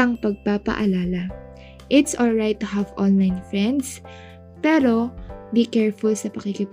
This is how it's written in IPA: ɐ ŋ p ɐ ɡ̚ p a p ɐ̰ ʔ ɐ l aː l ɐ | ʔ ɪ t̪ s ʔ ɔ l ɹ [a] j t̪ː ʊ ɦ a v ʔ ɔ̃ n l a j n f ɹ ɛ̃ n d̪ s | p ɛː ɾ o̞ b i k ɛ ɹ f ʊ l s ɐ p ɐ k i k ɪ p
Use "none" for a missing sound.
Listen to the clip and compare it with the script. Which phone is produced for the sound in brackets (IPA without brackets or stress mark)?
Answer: a